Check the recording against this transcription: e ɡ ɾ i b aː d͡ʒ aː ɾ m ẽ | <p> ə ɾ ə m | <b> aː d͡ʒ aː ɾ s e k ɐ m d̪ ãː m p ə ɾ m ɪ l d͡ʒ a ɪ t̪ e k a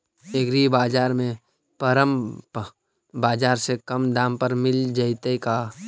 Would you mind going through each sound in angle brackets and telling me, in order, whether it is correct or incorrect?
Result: correct, correct

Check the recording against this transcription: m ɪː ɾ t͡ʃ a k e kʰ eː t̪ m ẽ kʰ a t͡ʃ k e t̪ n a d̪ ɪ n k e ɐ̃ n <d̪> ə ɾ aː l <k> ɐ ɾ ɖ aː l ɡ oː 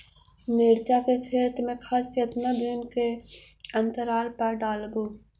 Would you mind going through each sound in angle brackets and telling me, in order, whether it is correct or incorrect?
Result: incorrect: t̪, incorrect: p

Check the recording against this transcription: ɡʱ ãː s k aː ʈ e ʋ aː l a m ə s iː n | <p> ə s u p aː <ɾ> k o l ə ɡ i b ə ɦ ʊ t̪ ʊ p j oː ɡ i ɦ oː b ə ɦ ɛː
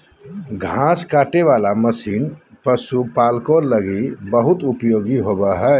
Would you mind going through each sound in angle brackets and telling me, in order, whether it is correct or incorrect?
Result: correct, incorrect: l

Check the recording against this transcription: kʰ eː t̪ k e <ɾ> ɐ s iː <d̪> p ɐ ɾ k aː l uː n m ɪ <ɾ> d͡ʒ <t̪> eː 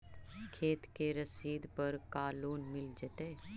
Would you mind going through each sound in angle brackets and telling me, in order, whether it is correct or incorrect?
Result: correct, correct, incorrect: l, correct

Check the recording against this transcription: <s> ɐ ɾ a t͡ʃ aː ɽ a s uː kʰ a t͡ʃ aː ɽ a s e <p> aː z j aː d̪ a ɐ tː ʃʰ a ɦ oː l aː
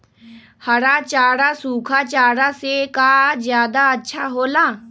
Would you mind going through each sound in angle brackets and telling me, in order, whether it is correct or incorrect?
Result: incorrect: h, incorrect: k

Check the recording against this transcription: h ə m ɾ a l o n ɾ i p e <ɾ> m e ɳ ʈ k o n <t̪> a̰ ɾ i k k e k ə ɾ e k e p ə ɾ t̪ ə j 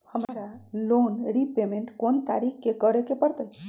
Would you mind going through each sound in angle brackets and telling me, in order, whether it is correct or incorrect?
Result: incorrect: none, correct

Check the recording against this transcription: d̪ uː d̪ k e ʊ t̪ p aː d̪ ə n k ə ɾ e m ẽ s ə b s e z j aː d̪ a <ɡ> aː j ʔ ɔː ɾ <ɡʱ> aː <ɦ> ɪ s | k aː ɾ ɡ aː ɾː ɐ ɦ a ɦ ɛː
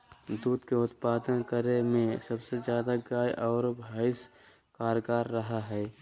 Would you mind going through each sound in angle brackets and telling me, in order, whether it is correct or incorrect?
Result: correct, incorrect: bʱ, incorrect: none

